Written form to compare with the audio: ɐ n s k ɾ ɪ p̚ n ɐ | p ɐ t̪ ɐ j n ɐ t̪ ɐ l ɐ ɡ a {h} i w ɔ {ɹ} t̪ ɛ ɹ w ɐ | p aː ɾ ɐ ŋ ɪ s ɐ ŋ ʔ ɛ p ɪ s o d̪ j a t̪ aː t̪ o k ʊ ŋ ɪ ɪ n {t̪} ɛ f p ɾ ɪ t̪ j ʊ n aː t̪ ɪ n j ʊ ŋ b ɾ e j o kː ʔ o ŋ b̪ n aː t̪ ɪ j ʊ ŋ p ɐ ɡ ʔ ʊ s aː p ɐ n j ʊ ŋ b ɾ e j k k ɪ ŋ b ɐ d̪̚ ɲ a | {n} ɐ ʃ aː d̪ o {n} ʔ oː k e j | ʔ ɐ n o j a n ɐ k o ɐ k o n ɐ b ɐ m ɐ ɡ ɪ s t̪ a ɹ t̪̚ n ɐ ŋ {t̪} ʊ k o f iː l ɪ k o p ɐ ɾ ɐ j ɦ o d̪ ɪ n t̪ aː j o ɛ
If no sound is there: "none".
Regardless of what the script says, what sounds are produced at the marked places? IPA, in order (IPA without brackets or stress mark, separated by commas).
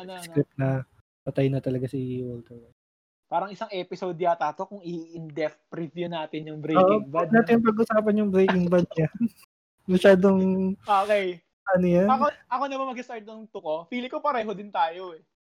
s, l, d̪, m, ŋ, t̪